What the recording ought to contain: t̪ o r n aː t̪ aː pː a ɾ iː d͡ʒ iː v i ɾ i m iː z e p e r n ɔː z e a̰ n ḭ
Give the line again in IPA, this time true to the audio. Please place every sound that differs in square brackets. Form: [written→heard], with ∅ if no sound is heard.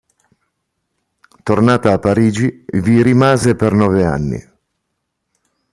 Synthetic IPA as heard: t̪ o r n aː t̪ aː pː a ɾ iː d͡ʒ [iː→i] v i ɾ i m [iː→aː] z e p e r n ɔː [z→v] e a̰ [n→nː] ḭ